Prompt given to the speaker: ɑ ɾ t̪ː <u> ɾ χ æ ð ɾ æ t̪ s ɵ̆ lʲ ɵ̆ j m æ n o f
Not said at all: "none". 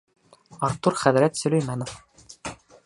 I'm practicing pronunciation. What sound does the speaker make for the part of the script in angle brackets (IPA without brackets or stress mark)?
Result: u